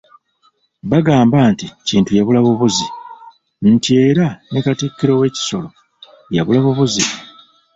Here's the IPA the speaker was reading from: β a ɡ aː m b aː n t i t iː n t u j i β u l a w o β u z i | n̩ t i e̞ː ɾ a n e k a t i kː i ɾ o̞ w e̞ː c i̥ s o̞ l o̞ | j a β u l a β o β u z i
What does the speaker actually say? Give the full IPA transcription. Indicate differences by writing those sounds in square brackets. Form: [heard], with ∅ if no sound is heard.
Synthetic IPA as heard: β a ɡ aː m b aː n t i [c] iː n t u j [a] β u l a [β] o β u z i | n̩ t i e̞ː ɾ a n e k a t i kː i ɾ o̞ w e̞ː c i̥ s o̞ l o̞ | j a β u l a β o β u z i